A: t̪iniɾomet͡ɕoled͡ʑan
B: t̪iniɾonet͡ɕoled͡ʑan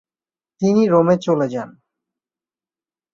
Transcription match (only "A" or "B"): A